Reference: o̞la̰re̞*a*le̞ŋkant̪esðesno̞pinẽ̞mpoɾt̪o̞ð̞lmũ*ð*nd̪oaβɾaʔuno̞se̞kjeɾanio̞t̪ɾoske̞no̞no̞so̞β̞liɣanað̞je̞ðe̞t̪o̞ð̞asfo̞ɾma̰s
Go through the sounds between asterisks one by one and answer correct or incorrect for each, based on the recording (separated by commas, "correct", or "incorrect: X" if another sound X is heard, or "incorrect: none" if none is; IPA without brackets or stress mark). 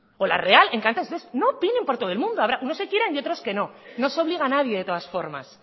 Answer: correct, incorrect: none